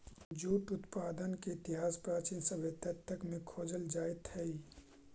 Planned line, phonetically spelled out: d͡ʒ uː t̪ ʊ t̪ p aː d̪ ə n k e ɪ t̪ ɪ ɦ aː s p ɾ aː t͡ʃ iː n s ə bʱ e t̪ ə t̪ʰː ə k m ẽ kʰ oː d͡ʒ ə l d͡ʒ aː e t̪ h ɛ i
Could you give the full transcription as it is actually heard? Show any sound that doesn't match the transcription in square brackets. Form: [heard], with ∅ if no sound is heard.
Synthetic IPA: d͡ʒ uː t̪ ʊ t̪ p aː d̪ ə n k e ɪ t̪ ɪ ɦ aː s p ɾ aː t͡ʃ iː n s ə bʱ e t̪ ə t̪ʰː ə k m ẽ kʰ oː d͡ʒ ə l d͡ʒ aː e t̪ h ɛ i